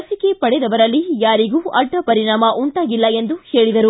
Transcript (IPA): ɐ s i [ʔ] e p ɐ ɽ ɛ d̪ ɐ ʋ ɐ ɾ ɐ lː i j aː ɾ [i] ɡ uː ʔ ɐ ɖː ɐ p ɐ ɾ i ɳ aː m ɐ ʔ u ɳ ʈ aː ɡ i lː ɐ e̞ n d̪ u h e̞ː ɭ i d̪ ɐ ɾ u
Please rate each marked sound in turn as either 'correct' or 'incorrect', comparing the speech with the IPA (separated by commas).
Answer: incorrect, correct